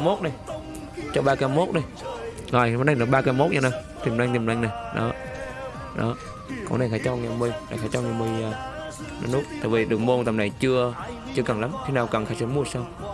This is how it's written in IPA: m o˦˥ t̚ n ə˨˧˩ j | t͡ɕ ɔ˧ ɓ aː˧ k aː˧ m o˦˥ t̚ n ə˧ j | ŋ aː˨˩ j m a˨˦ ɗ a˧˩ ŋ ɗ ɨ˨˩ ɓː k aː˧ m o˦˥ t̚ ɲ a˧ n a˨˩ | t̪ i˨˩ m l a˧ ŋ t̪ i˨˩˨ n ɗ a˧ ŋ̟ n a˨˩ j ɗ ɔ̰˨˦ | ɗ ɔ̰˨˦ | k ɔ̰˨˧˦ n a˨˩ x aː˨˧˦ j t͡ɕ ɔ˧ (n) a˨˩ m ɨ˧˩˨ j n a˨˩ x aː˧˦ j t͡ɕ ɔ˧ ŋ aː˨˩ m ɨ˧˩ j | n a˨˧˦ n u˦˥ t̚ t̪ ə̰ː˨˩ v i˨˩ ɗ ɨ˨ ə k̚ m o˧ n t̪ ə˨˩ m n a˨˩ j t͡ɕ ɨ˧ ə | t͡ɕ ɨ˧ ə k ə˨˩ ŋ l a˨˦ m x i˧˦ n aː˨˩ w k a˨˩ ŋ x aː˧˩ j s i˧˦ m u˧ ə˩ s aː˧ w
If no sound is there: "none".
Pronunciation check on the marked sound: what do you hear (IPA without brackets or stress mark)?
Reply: ŋ